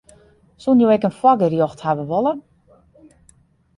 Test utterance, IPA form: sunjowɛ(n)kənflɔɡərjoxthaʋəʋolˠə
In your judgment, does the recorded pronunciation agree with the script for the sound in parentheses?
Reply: no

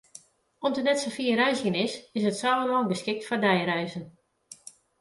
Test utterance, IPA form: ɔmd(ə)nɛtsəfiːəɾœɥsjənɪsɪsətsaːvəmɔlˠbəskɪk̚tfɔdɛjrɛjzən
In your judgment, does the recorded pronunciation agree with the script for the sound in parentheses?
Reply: yes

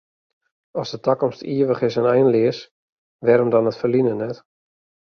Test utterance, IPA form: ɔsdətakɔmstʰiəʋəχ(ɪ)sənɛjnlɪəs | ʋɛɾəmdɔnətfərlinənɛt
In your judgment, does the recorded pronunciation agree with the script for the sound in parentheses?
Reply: yes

